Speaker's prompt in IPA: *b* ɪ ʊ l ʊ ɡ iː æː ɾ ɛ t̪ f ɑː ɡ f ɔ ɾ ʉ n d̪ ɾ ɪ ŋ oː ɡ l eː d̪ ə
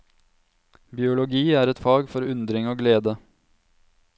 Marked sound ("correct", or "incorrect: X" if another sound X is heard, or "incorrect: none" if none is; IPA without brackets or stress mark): correct